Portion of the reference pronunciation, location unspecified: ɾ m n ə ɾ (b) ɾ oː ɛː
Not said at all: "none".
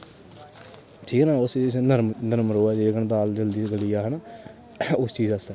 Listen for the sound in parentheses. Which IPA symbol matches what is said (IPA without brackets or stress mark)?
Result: m